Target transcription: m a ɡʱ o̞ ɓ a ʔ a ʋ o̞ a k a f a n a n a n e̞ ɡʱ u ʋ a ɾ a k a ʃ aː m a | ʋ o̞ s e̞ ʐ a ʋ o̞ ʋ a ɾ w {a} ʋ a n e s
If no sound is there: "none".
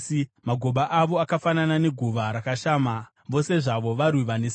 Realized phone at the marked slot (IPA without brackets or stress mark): i